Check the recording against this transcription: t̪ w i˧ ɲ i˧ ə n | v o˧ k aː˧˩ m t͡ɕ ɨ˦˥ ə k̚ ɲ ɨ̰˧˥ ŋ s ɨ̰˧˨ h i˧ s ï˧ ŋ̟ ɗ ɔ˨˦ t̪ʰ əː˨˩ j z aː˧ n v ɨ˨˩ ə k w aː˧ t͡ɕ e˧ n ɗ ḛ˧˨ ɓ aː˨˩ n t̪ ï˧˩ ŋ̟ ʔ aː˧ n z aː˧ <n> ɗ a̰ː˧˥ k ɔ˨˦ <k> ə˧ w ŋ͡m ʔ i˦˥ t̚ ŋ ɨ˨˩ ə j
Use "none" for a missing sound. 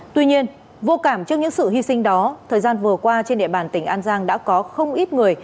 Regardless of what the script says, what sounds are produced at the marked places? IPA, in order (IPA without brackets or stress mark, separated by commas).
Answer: ŋ, x